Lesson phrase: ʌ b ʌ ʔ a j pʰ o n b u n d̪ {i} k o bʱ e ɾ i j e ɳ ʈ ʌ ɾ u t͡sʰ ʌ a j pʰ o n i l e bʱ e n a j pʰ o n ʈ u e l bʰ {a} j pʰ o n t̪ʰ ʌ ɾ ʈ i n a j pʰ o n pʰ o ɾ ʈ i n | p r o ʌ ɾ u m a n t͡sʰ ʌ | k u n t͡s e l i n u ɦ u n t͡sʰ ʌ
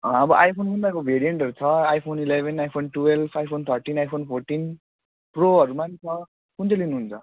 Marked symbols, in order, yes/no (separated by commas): no, yes